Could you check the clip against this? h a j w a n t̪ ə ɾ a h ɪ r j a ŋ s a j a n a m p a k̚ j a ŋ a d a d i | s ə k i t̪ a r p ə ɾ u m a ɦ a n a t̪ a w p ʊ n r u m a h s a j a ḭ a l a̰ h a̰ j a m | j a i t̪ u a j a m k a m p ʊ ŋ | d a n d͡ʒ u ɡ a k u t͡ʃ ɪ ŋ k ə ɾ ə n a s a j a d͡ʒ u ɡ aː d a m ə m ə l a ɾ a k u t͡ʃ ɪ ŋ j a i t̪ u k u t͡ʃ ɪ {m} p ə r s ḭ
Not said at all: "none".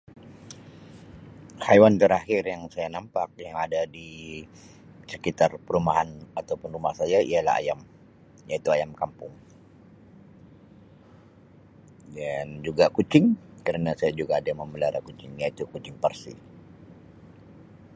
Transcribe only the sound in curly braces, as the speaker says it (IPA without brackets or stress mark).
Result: ŋ